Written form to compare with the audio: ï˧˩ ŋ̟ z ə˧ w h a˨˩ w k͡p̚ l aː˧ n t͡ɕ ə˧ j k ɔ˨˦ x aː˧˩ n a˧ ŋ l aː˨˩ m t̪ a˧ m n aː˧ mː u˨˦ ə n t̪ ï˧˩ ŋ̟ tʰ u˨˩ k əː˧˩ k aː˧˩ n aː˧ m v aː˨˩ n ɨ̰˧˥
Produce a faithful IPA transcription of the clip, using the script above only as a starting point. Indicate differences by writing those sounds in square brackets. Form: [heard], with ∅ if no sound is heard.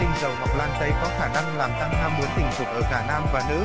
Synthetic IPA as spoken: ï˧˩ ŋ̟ z [ə˨˩] w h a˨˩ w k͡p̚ l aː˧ n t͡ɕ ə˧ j k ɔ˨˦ x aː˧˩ n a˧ ŋ l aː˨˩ m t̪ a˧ [ŋ] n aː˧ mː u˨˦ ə n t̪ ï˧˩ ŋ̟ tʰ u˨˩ [ʔ] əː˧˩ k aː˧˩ n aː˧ m v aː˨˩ n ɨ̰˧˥